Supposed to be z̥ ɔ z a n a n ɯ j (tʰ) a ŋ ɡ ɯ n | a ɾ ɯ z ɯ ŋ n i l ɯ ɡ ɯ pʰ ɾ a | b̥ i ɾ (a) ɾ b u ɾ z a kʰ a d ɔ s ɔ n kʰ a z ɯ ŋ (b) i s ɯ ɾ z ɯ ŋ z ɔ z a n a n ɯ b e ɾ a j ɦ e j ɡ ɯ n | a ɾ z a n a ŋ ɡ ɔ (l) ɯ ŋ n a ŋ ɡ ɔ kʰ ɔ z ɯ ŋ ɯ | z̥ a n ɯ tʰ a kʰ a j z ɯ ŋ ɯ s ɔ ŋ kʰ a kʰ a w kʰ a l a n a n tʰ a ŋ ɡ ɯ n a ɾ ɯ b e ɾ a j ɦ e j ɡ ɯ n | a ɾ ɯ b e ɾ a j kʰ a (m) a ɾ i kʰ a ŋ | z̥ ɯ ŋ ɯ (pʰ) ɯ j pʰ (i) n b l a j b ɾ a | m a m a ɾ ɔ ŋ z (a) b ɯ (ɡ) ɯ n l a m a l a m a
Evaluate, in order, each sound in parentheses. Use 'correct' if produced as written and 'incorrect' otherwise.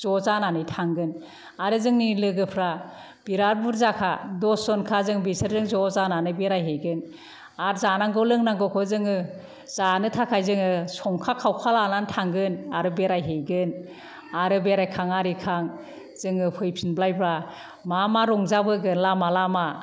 correct, correct, correct, correct, incorrect: ŋ, correct, correct, correct, correct

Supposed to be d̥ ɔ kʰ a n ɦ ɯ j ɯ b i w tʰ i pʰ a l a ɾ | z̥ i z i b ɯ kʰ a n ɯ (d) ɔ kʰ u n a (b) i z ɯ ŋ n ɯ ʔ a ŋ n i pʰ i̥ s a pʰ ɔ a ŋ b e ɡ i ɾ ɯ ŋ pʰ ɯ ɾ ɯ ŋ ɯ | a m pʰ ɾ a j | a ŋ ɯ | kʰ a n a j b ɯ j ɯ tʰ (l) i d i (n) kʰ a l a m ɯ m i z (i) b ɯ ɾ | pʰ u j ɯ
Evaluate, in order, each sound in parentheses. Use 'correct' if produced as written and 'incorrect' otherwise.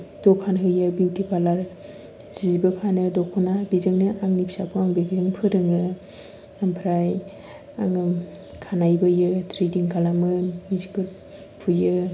correct, correct, incorrect: ɾ, incorrect: ŋ, correct

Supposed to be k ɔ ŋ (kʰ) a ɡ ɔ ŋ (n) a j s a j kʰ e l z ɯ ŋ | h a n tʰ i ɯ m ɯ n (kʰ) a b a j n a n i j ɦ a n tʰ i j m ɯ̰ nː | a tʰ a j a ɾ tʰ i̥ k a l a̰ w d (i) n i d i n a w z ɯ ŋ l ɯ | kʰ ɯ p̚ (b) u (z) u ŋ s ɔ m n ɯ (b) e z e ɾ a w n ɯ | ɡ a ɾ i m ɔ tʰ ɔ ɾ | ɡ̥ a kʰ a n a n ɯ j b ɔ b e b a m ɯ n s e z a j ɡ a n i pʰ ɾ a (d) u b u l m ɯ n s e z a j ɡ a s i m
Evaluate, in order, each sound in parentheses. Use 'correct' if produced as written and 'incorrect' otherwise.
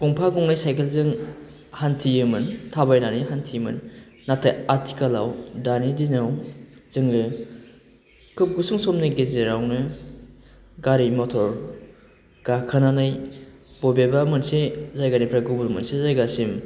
incorrect: pʰ, correct, incorrect: tʰ, incorrect: a, incorrect: ɡ, incorrect: s, incorrect: ɡ, incorrect: ɡ

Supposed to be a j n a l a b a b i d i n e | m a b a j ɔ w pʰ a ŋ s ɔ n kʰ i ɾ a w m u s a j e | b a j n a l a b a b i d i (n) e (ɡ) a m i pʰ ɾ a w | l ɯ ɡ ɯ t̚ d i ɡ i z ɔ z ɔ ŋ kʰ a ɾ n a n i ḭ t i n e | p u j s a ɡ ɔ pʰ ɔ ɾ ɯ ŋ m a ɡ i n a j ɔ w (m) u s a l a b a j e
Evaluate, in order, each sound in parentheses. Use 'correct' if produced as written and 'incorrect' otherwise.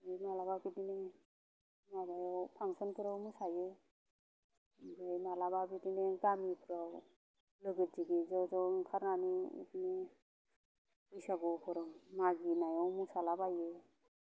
correct, correct, correct

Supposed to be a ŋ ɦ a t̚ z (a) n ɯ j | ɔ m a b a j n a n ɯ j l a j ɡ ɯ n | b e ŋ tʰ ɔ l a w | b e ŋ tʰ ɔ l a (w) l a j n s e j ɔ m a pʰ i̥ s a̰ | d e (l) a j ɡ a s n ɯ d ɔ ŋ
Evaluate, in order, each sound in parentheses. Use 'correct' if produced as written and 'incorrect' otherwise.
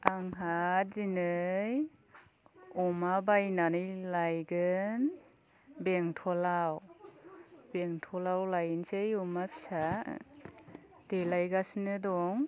incorrect: i, correct, correct

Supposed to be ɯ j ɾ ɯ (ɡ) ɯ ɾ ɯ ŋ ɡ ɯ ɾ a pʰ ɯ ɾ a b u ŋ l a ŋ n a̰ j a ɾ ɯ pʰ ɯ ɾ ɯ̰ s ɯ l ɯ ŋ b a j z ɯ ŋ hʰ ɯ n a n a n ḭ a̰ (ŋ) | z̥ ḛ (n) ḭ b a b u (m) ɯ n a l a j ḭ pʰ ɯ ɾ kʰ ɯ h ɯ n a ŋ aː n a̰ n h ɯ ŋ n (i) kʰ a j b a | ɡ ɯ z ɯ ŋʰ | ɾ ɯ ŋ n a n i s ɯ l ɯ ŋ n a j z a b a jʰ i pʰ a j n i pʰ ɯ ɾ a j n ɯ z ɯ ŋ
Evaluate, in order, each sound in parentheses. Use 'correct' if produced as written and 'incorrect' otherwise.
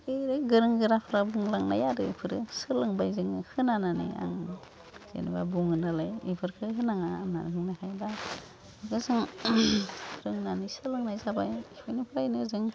correct, correct, correct, incorrect: ŋ, incorrect: a

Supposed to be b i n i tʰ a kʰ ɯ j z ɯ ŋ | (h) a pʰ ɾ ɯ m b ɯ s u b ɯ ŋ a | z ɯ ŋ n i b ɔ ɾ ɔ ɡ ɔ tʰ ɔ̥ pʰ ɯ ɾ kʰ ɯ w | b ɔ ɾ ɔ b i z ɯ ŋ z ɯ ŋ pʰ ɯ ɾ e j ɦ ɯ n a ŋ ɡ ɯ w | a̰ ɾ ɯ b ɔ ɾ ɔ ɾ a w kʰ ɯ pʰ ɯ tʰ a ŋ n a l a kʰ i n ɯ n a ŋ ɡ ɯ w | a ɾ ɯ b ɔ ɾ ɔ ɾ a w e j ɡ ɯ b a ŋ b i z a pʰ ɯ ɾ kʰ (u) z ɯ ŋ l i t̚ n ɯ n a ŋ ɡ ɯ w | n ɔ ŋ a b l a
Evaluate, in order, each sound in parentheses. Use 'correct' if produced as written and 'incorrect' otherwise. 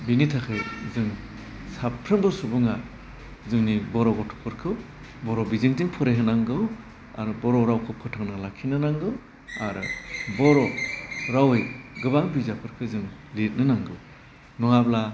incorrect: s, incorrect: ɯ

